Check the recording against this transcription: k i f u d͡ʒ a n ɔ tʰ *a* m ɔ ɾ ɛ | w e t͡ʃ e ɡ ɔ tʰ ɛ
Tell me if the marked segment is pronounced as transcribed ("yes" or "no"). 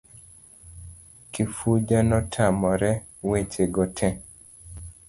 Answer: yes